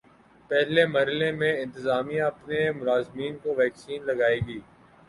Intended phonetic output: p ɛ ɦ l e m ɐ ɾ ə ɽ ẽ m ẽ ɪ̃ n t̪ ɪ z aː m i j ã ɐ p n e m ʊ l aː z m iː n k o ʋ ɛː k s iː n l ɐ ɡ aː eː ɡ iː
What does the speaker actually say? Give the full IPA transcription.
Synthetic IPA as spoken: p ɛ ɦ l e m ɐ ɾ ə l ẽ m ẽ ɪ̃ n t̪ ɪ z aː m i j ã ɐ p n e m ʊ l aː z m iː n k o ʋ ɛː k s iː n l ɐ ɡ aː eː ɡ iː